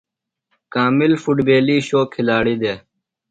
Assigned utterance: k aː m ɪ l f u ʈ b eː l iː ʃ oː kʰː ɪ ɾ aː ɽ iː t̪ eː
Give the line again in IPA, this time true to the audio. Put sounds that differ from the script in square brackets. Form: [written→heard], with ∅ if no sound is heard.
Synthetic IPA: k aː m ɪ l f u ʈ b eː l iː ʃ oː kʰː ɪ [ɾ→l] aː ɽ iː [t̪→d̪] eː